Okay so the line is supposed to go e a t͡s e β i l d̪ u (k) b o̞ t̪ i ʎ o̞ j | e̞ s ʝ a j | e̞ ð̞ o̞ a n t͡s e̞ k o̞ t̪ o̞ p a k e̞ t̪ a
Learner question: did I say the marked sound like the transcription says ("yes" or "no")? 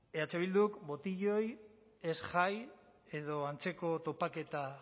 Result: yes